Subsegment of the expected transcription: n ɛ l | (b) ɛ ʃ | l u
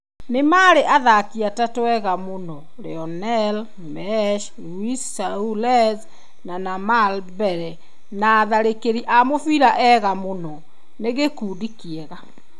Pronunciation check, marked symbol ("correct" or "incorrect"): incorrect